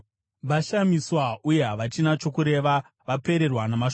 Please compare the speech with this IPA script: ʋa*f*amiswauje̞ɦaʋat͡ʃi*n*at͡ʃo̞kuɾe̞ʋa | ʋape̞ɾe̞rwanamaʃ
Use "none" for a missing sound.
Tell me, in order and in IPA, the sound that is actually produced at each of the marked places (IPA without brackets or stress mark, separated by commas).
ʃ, n